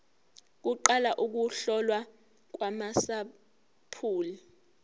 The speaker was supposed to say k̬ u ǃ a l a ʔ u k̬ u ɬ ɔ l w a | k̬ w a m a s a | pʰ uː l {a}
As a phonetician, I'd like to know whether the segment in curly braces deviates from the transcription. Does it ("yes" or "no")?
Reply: yes